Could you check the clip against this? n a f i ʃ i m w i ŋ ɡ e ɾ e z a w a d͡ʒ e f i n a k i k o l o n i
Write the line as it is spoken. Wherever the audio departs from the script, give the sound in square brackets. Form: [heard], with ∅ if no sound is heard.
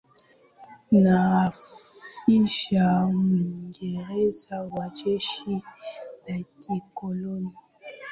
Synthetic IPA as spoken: n a f i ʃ [a] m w i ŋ ɡ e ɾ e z a w a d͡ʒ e [ʃ] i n a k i k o l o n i

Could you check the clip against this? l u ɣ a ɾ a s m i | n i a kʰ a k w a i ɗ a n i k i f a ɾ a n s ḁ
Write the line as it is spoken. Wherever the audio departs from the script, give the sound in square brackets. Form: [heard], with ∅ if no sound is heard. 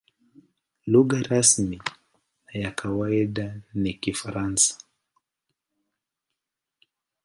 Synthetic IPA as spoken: l u ɣ a ɾ a s m i | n [j] a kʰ a [∅] w a i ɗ a n i k i f a ɾ a n s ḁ

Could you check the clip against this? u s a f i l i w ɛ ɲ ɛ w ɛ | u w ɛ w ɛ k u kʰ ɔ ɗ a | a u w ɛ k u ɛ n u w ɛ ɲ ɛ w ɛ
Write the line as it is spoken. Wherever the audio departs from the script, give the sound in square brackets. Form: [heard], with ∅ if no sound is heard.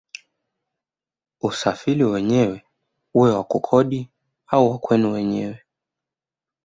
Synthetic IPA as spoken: u s a f i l i w ɛ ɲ ɛ w ɛ | u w ɛ w [a] k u kʰ ɔ ɗ [i] | a u w [a] k [w] ɛ n u w ɛ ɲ ɛ w ɛ

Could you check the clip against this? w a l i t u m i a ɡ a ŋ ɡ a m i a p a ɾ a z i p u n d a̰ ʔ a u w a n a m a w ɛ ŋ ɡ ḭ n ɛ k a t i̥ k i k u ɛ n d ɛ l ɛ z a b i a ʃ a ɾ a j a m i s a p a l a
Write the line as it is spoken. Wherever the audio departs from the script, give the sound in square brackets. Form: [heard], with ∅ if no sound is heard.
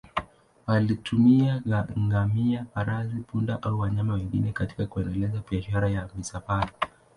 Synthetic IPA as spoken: w a l i t u m i a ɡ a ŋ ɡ a m i a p a ɾ a z i p u n d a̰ ʔ a u w a [ɲ] a m a w ɛ ŋ ɡ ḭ n ɛ k a t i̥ k [a] k u ɛ n d ɛ l ɛ z a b i a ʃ a ɾ a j a m i s a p a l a

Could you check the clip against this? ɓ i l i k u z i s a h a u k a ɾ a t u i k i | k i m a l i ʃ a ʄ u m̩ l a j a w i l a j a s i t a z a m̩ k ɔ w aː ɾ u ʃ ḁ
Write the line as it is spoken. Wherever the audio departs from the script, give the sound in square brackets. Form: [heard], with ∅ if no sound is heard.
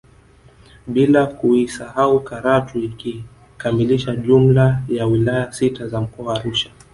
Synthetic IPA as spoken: ɓ i l [a] k u [∅] i s a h a u k a ɾ a t u i k i | k [a] m [i] l i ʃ a ʄ u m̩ l a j a w i l a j a s i t a z a m̩ k ɔ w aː ɾ u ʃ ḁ

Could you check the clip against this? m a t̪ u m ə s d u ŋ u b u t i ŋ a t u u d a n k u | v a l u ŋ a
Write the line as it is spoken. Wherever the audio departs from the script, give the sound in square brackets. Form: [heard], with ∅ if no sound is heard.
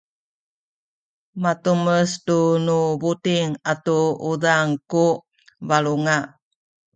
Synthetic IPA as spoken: m a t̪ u m ə s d u [n] u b u t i ŋ a t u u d a [ŋ] k u | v a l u ŋ a

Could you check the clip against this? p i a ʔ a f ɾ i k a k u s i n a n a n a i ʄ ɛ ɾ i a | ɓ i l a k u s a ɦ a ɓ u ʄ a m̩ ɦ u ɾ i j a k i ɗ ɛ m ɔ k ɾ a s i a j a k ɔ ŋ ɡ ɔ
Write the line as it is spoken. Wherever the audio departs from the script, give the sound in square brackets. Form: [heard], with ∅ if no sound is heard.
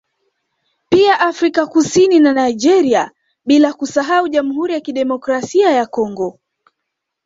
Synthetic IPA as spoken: p i a ʔ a f ɾ i k a k u s i n [i] n a n a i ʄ ɛ ɾ i a | ɓ i l a k u s a ɦ a [∅] u ʄ a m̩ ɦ u ɾ i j a k i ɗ ɛ m ɔ k ɾ a s i a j a k ɔ ŋ ɡ ɔ

